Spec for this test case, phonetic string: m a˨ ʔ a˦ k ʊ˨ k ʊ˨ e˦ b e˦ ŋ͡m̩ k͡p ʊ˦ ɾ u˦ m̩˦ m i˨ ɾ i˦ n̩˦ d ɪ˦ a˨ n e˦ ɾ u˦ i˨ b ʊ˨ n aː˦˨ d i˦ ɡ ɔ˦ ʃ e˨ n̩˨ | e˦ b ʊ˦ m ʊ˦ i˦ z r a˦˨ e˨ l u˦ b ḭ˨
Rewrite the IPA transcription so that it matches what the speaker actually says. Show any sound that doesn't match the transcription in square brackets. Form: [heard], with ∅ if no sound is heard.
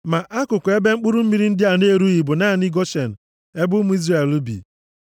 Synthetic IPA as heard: m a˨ ʔ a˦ k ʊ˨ k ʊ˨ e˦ b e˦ ŋ͡m̩ k͡p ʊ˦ ɾ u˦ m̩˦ m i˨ ɾ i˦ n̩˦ d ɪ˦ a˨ n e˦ ɾ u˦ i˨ b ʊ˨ n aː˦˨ [n] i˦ ɡ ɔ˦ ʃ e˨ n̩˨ | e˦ b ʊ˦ m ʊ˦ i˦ z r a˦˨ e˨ l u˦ b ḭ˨